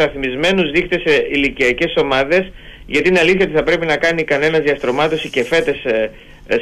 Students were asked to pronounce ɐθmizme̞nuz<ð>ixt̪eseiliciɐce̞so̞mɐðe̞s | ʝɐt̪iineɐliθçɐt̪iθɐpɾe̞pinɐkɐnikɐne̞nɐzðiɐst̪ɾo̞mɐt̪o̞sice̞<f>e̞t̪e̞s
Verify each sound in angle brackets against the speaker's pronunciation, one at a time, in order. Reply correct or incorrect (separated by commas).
correct, correct